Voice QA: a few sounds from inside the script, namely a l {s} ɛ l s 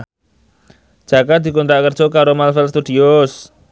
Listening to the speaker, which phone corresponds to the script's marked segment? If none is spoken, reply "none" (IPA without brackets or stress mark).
f